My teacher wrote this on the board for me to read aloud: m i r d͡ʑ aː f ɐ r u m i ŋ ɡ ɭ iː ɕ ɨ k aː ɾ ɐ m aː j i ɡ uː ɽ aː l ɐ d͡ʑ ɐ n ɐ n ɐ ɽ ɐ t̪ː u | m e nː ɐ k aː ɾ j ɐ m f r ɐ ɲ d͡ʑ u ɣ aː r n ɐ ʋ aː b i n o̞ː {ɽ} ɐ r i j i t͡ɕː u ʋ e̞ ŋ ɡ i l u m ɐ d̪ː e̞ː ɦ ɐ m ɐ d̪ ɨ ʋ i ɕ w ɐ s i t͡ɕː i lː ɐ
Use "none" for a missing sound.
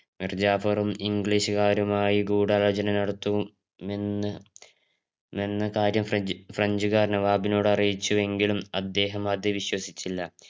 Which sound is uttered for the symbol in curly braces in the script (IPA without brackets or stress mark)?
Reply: ɽ